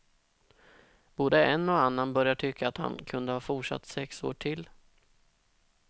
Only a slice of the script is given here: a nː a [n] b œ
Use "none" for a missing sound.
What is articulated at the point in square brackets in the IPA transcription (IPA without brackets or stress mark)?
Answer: n